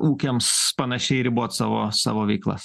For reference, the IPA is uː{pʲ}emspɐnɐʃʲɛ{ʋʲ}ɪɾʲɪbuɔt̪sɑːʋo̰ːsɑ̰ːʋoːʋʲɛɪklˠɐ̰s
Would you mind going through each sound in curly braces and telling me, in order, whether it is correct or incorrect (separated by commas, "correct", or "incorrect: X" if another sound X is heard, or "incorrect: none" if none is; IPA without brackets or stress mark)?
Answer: incorrect: kʲ, incorrect: none